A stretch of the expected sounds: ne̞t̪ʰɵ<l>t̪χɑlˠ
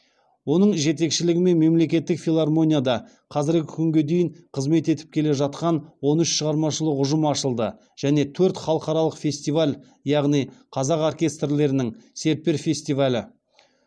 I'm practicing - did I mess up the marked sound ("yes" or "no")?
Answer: yes